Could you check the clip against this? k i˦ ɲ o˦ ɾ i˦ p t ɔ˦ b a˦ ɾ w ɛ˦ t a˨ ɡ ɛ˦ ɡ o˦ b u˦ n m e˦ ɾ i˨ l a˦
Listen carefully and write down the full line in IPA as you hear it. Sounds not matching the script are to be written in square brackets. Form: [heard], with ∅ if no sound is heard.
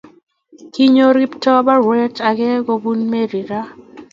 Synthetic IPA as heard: k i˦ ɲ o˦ ɾ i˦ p t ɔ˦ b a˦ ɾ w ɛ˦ t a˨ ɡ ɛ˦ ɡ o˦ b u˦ n m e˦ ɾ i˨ [ɾ] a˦